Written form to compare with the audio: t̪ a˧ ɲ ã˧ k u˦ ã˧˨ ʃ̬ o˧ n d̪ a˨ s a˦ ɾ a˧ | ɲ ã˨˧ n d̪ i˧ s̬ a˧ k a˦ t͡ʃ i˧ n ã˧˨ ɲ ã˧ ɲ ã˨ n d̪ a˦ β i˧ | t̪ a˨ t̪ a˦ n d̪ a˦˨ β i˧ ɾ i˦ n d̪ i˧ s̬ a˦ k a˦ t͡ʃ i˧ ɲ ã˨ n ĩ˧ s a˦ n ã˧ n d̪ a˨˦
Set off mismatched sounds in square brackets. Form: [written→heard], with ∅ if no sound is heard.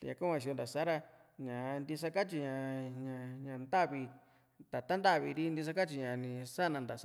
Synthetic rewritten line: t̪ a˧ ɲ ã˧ k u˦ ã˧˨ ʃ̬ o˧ n d̪ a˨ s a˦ ɾ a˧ | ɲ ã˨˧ n d̪ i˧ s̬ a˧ k a˦ t͡ʃ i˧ [n→ɲ] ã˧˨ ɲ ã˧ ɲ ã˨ n d̪ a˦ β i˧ | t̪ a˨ t̪ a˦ n d̪ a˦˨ β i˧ ɾ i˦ n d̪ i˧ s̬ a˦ k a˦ t͡ʃ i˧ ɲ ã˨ n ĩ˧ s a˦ n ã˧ n d̪ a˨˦